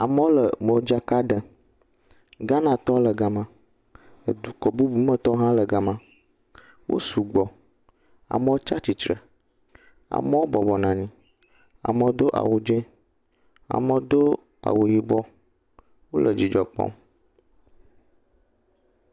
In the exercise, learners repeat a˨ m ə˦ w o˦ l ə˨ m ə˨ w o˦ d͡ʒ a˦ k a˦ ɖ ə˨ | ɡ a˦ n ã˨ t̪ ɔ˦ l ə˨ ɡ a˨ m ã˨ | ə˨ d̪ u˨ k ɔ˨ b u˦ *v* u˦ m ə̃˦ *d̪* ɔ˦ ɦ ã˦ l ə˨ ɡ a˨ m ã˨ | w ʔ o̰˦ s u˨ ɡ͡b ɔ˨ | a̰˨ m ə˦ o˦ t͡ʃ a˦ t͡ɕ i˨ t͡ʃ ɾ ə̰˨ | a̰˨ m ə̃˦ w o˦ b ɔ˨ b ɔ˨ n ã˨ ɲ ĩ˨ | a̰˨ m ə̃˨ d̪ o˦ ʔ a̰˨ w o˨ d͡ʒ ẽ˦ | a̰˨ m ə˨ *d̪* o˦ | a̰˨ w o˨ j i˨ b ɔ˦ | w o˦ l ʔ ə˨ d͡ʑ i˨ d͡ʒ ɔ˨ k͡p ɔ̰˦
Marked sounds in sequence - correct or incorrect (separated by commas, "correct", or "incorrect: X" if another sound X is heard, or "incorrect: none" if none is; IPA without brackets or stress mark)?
incorrect: b, incorrect: t̪, correct